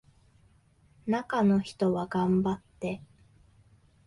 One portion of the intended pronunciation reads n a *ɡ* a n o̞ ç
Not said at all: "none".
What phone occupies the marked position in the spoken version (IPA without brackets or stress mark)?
k